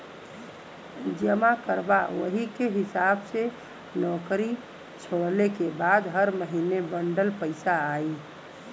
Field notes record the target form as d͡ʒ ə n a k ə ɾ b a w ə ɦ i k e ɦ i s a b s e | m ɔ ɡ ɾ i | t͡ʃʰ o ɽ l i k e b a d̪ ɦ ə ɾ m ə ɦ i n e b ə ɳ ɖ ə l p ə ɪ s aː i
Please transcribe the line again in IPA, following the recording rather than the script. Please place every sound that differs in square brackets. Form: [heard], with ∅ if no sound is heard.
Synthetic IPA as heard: d͡ʒ ə [m] a k ə ɾ b a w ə ɦ i k e ɦ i s a b s e | [n] ɔ [k] ɾ i | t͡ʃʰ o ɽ l [e] k e b a d̪ ɦ ə ɾ m ə ɦ i n e b ə ɳ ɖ ə l p ə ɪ s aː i

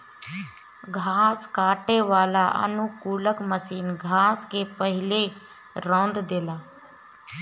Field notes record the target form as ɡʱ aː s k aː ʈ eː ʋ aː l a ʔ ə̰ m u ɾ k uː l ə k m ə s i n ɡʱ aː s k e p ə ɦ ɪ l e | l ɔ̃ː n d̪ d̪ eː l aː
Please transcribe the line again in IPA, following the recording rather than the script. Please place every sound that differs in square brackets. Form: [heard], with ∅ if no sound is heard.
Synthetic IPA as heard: ɡʱ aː s k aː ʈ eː ʋ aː l a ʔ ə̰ [n] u [∅] k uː l ə k m ə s [iː] n ɡʱ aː s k e p ə ɦ ɪ l e | [ɾ] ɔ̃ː n d̪ d̪ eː l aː

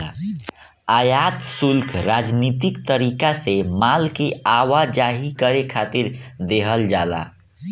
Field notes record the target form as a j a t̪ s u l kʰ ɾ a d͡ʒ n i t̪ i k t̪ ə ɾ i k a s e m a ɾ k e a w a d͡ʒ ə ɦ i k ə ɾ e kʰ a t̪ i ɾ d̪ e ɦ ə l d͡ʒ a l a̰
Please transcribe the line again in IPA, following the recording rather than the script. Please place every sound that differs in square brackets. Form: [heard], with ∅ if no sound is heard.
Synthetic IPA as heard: a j a t̪ s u l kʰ ɾ a d͡ʒ n i t̪ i k t̪ ə ɾ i k a s e m a [l] k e a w a d͡ʒ [a] ɦ i k ə ɾ e kʰ a t̪ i ɾ d̪ e ɦ ə l d͡ʒ a l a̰

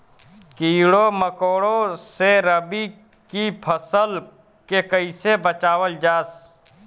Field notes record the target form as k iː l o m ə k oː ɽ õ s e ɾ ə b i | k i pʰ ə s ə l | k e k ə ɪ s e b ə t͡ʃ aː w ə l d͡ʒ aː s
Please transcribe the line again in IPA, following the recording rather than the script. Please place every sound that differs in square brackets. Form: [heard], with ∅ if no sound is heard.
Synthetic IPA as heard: k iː [ɽ] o m ə k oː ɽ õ s e ɾ ə b i | k i pʰ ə s ə l | k e k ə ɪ s e b ə t͡ʃ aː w ə l d͡ʒ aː s

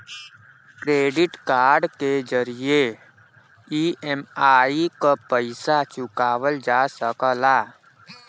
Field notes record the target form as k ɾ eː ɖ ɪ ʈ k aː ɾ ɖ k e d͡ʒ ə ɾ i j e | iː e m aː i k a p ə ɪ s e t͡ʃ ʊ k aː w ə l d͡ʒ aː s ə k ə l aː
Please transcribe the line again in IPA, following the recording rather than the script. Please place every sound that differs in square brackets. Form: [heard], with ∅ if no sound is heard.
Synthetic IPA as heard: k ɾ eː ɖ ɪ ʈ k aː ɾ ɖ k e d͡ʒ ə ɾ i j e | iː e m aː i k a p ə ɪ s [a] t͡ʃ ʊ k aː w ə l d͡ʒ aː s ə k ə l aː

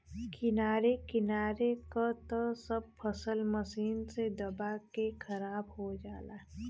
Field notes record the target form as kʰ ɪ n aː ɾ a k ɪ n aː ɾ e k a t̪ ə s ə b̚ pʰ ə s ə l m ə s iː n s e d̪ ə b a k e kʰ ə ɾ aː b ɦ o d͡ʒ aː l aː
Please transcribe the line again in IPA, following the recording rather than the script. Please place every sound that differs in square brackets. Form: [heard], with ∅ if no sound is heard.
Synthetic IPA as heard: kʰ ɪ n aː ɾ [e] k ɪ n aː ɾ e k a t̪ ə s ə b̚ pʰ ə s ə l m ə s iː n s e d̪ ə b a k e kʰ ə ɾ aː b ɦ o d͡ʒ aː l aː

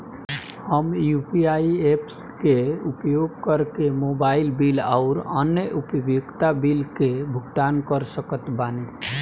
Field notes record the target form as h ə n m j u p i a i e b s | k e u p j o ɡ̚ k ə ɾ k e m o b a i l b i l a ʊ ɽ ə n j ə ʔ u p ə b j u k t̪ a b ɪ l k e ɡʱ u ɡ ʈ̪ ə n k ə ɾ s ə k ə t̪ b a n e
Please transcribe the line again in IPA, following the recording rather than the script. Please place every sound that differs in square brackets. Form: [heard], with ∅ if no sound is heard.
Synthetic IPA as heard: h ə [∅] m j u p i a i e [p] s | k e u p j o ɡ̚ k ə ɾ k e m o b a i l b i l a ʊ [ɾ] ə n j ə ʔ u p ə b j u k t̪ a b [i] l k e [bʱ] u ɡ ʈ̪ [a] n k ə ɾ s ə k ə t̪ b a n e

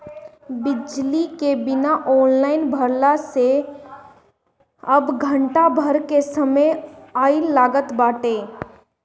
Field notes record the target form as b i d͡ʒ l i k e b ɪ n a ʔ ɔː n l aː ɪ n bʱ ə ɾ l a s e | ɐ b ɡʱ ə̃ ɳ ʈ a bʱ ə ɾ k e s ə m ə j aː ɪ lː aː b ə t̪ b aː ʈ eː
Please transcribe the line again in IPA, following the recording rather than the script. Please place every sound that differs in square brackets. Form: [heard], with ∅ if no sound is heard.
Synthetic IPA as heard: b [ɪ] d͡ʒ l i k e b ɪ n a ʔ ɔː n l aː ɪ n bʱ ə ɾ l a s e | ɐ b ɡʱ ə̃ ɳ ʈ a bʱ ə ɾ k e s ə m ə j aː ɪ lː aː [ɡ] ə t̪ b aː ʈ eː

